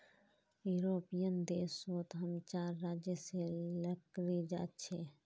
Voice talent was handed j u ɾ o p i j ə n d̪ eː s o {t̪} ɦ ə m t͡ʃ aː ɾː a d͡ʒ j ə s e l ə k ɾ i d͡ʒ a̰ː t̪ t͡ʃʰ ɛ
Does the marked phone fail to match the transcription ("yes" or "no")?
no